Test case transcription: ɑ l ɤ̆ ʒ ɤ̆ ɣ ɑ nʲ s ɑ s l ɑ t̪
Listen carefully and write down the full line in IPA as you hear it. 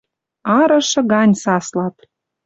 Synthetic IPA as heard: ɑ ɾ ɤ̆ ʃ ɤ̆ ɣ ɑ nʲ s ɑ s l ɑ t̪